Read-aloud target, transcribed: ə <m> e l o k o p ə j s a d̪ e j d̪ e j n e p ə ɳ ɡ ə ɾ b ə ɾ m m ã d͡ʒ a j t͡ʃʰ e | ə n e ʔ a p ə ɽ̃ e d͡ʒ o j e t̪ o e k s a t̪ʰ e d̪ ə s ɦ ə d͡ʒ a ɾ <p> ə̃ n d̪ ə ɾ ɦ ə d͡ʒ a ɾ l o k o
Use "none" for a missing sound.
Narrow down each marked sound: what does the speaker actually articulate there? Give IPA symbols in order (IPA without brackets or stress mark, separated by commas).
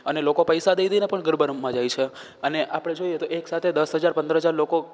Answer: n, p